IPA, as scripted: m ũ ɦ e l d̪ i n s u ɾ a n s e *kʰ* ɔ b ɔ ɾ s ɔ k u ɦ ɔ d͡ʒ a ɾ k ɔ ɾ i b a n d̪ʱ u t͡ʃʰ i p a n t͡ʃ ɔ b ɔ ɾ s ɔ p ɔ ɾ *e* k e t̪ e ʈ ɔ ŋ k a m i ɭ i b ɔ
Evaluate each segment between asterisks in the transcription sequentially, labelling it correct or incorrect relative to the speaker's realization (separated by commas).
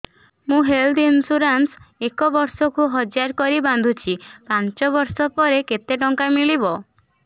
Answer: incorrect, correct